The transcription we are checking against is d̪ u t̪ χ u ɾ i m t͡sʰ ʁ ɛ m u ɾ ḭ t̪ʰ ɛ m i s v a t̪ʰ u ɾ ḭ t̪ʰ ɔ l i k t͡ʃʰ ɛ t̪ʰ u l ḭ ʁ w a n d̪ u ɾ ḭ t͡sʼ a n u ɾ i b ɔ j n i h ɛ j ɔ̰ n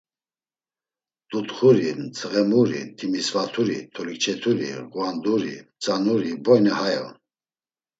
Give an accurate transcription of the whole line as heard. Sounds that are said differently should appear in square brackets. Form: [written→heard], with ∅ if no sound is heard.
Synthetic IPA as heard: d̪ u t̪ χ u ɾ i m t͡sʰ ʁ ɛ m u ɾ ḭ t̪ʰ [ɛ→i] m i s v a t̪ʰ u ɾ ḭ t̪ʰ ɔ l i k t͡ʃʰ ɛ t̪ʰ u [l→ɾ] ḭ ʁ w a n d̪ u ɾ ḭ t͡sʼ a n u ɾ i b ɔ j n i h [ɛ→a] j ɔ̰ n